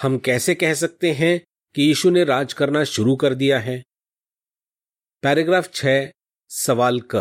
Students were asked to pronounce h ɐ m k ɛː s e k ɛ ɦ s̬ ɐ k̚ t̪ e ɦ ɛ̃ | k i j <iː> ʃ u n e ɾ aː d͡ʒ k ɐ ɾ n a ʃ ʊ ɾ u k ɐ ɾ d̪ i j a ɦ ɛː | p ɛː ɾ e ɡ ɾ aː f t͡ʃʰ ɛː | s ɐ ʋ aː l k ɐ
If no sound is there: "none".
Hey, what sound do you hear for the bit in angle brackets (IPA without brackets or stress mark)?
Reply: iː